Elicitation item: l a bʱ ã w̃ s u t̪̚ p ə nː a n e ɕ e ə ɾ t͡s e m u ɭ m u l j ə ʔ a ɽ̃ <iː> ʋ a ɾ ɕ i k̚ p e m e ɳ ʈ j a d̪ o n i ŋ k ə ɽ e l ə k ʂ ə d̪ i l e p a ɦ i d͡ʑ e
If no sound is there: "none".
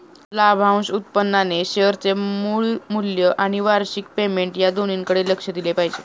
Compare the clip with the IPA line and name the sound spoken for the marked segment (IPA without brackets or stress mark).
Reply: i